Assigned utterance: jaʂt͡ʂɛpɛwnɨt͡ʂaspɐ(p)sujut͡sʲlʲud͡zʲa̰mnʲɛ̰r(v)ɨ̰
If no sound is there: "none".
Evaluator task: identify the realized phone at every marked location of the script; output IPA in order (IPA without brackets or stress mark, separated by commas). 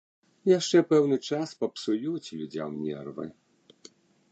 p, v